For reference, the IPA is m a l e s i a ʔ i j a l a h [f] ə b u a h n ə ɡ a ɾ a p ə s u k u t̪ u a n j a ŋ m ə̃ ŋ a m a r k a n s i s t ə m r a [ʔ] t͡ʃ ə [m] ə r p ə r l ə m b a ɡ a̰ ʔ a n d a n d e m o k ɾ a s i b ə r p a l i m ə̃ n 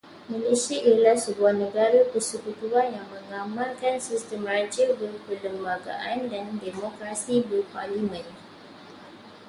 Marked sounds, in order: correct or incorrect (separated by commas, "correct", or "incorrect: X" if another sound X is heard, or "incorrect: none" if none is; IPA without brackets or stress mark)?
incorrect: s, incorrect: none, incorrect: b